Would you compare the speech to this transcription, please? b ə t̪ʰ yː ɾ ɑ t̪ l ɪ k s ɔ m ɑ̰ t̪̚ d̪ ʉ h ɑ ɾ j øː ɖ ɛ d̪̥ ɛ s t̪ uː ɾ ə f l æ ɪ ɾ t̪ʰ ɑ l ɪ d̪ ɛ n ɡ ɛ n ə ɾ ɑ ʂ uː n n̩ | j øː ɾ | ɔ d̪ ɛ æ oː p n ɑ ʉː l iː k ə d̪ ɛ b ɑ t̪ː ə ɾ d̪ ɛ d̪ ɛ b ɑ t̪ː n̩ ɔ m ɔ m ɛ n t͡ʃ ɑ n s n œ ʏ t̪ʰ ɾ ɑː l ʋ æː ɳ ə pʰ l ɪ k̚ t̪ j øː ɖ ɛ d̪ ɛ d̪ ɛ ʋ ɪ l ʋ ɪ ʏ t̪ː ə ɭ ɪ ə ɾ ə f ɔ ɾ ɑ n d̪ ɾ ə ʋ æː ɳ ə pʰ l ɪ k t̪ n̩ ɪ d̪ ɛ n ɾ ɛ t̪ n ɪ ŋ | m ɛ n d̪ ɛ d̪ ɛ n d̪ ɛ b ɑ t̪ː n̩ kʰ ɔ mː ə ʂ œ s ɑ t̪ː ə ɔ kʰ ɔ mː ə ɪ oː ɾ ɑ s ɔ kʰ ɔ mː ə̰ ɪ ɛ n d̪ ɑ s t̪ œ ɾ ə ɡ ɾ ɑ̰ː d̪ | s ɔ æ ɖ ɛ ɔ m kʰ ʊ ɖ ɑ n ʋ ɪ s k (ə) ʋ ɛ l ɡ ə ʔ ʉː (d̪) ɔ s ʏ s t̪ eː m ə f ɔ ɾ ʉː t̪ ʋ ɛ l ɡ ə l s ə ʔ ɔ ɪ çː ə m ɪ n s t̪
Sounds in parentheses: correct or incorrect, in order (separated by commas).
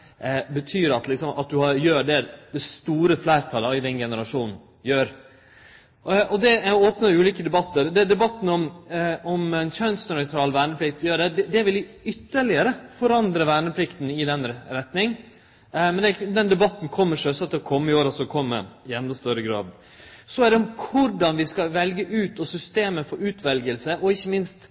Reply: incorrect, incorrect